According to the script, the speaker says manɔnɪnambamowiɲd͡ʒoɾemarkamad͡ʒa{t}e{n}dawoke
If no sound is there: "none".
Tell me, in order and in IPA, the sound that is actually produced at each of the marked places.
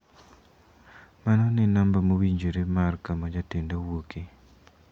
t, n

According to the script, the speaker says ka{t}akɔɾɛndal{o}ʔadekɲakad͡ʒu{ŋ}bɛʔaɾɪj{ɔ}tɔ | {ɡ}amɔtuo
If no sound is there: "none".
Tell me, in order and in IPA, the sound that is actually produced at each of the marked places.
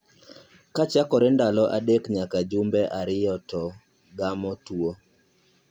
t͡ʃ, ɔ, m, ɔ, ɡ

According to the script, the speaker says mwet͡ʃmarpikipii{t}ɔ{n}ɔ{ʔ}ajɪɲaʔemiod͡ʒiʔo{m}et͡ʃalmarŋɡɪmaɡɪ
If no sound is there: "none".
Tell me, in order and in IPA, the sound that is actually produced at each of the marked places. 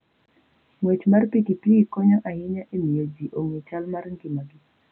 k, ɲ, ʔ, ŋ

